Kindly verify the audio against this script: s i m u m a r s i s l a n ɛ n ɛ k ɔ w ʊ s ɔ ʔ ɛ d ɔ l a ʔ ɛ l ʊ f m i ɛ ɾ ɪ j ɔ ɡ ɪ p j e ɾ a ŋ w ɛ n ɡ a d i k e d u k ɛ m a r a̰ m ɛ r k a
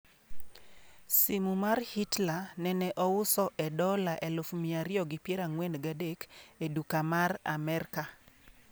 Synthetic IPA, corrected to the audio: s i m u m a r h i t l a n ɛ n ɛ ʔ ɔ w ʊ s ɔ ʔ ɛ d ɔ l a ʔ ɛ l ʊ f m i a ɾ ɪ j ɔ ɡ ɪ p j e ɾ a ŋ w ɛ n ɡ a d e k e d u k a m a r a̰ m ɛ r k a